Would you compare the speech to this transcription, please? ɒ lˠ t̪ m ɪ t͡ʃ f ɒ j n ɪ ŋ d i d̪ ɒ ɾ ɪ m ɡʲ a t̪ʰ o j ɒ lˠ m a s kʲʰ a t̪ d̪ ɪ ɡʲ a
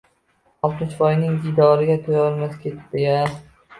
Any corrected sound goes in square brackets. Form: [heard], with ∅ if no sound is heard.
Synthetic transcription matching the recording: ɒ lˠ t̪ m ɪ t͡ʃ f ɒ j n ɪ ŋ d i d̪ ɒ ɾ ɪ [∅] ɡʲ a t̪ʰ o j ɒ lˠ m a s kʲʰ [e] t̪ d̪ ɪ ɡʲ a